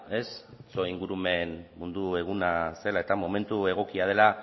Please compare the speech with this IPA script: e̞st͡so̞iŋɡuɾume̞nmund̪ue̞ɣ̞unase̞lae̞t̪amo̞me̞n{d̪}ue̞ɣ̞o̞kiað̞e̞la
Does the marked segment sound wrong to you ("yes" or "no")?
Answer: yes